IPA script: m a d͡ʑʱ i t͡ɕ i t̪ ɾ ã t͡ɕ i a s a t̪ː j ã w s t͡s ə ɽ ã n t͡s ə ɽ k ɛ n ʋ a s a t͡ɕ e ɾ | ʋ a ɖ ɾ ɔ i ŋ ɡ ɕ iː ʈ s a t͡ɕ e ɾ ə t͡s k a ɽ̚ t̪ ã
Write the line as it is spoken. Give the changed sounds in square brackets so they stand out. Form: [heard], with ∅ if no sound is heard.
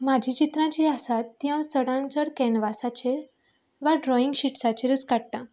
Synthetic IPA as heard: m a d͡ʑʱ i t͡ɕ i t̪ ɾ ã t͡ɕ i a s a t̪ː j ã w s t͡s ə ɽ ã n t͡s ə ɽ k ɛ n ʋ a s a t͡ɕ e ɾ | ʋ a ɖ ɾ ɔ i ŋ ɡ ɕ [i] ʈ s a t͡ɕ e ɾ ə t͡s k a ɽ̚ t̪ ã